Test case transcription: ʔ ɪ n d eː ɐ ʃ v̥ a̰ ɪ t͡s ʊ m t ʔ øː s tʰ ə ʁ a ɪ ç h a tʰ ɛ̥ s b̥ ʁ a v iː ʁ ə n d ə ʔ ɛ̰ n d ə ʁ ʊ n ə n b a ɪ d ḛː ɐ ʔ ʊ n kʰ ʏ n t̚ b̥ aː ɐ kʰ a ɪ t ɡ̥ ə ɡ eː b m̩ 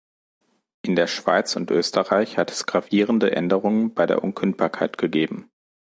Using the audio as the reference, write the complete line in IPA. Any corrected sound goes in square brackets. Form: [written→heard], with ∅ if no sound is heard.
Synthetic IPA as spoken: ʔ ɪ n d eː ɐ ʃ v̥ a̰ ɪ t͡s ʊ [m→n] t ʔ øː s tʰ ə ʁ a ɪ ç h a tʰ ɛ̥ s [b̥→ɡ̥] ʁ a v iː ʁ ə n d ə ʔ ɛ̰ n d ə ʁ ʊ [n→ŋ] ə n b a ɪ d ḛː ɐ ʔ ʊ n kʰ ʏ n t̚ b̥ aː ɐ kʰ a ɪ t ɡ̥ ə ɡ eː b m̩